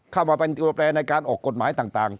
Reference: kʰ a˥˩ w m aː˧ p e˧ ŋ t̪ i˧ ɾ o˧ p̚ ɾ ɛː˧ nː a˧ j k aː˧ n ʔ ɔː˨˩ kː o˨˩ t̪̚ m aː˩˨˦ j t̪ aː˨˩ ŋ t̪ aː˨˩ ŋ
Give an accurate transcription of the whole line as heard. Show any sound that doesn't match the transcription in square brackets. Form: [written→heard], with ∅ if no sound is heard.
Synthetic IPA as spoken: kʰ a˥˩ w m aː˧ p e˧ [ŋ→n] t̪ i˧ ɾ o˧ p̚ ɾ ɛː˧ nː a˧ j k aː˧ n ʔ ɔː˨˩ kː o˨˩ t̪̚ m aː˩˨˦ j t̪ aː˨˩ ŋ t̪ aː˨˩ ŋ